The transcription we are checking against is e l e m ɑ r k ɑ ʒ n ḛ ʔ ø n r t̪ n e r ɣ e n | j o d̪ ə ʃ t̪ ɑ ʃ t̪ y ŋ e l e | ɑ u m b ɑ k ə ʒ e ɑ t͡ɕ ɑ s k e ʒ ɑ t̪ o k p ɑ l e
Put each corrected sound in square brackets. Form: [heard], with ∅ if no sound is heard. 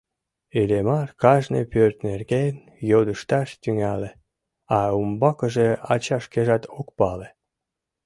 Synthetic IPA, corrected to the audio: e l e m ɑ r k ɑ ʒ n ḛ [p] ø [∅] r t̪ n e r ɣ e n | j o d̪ ə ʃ t̪ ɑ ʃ t̪ y ŋ [æ] l e | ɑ u m b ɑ k ə ʒ e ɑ t͡ɕ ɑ [ʃ] k e ʒ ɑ t̪ o k p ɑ l e